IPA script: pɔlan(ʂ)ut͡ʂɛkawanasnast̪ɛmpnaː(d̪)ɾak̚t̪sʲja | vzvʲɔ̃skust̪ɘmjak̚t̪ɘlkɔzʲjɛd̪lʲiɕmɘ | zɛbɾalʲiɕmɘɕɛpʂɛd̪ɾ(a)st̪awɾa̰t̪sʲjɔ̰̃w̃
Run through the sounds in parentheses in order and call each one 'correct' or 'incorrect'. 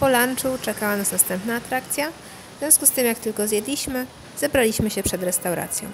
incorrect: t͡ʂ, incorrect: t̪, incorrect: ɛ

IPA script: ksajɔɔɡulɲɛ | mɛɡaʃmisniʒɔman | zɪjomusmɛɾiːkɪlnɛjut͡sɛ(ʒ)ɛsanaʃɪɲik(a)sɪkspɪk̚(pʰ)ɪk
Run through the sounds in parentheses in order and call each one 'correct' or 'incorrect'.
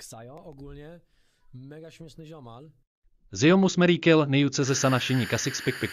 incorrect: z, correct, incorrect: p

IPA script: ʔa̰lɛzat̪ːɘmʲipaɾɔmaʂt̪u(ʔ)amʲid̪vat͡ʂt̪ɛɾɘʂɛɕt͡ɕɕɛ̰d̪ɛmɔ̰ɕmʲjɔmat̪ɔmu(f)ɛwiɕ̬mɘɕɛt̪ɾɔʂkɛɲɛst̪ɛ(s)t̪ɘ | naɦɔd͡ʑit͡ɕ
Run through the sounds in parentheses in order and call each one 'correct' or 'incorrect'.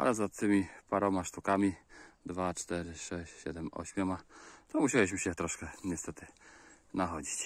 incorrect: k, incorrect: ɕ, incorrect: none

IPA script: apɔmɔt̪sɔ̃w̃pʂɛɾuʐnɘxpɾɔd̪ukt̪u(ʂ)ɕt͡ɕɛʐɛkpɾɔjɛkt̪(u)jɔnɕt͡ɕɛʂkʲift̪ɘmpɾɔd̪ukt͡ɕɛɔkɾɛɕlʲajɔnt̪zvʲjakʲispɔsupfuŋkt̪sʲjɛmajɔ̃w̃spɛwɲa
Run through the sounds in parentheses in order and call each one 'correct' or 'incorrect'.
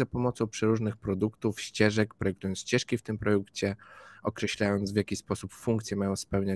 incorrect: f, correct

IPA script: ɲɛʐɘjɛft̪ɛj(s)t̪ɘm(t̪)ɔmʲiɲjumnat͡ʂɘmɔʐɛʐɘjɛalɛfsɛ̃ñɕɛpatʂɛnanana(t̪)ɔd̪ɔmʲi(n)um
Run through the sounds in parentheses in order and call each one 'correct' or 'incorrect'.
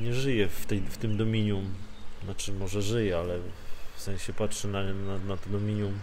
incorrect: f, incorrect: d̪, correct, incorrect: ɲ

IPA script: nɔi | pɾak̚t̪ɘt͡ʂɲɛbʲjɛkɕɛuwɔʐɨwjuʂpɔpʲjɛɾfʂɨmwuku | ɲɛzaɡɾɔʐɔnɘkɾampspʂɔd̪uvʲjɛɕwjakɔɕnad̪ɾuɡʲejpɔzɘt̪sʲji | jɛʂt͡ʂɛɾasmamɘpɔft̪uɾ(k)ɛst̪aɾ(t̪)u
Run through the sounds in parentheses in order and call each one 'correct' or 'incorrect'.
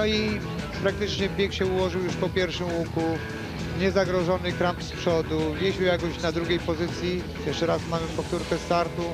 correct, correct

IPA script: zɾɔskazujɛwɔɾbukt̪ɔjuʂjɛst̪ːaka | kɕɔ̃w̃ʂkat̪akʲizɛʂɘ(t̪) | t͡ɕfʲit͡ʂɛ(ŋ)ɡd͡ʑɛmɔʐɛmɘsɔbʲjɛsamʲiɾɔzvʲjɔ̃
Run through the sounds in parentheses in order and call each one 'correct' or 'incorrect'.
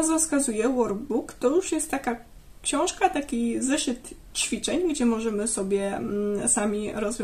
correct, incorrect: ɲ

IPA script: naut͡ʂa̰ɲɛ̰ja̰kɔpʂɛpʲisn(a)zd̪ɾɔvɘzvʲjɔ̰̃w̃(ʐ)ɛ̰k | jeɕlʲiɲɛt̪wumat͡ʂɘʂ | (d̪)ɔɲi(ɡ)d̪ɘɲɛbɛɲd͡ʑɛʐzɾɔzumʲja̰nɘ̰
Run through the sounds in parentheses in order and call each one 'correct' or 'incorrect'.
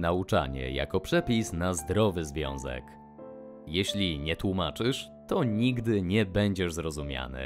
correct, incorrect: z, incorrect: t̪, correct

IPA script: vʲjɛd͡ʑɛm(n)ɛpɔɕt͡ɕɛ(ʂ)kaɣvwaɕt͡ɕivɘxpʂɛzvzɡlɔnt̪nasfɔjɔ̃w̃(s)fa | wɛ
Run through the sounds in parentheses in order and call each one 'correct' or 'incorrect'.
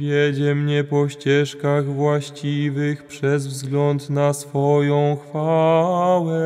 incorrect: ɲ, correct, incorrect: x

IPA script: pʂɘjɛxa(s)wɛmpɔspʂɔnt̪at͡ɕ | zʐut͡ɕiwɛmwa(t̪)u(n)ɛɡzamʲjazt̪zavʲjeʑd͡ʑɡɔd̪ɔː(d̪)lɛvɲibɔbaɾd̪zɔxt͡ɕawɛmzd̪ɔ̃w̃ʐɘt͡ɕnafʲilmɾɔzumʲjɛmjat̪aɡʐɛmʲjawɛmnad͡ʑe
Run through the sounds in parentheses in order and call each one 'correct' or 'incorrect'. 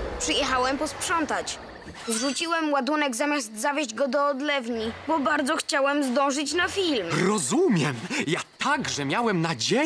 incorrect: none, incorrect: d̪, correct, correct

